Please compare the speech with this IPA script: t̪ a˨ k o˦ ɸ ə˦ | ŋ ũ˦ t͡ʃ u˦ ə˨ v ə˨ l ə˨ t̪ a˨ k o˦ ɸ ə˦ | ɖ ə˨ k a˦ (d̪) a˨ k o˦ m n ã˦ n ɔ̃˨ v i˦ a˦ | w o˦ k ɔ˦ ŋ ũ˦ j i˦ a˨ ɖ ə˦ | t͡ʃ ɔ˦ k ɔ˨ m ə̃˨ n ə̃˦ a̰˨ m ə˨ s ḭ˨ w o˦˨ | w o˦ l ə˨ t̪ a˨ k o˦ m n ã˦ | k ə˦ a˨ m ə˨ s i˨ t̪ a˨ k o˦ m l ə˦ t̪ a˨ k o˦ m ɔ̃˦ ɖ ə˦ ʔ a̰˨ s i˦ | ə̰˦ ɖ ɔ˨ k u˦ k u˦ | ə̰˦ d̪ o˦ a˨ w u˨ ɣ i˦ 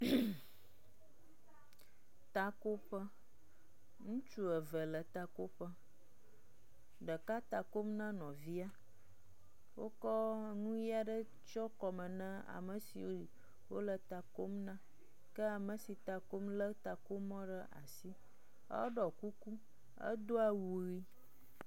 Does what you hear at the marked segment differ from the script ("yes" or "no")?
yes